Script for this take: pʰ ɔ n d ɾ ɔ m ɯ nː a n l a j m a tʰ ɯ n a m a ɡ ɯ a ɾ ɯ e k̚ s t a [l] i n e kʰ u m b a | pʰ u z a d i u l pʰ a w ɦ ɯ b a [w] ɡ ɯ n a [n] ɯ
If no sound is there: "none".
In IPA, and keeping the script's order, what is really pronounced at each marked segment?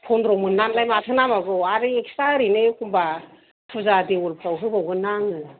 ɾ, w, ŋ

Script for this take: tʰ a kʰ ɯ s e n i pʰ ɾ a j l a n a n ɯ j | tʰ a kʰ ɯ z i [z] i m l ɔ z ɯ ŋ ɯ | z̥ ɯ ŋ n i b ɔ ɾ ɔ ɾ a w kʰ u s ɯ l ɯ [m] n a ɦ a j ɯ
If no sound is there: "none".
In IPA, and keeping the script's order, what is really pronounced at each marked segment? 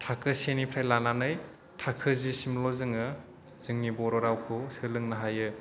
s, ŋ

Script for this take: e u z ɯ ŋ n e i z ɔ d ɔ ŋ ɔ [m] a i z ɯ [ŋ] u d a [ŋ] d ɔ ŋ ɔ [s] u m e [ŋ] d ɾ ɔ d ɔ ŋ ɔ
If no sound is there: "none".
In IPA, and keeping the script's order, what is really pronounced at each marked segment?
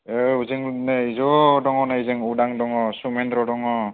n, ŋ, ŋ, s, n

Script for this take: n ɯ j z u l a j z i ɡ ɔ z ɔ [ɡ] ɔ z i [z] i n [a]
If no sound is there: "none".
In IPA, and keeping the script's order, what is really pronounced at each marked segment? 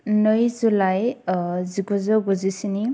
ɡ, s, i

